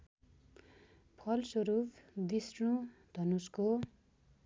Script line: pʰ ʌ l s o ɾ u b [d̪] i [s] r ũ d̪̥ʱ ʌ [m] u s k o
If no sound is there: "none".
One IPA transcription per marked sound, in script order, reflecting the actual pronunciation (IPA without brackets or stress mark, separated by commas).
d̪, s, n